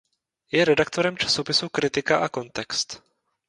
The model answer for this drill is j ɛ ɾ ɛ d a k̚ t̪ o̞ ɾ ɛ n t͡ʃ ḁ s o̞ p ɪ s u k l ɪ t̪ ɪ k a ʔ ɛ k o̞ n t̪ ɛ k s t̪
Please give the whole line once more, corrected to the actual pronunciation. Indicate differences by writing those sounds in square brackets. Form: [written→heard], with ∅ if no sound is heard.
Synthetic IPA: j ɛ ɾ ɛ d a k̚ t̪ o̞ ɾ ɛ [n→m] t͡ʃ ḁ s o̞ p ɪ s u k [l→ɾ] ɪ t̪ ɪ k a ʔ [ɛ→a] k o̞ n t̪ ɛ k s t̪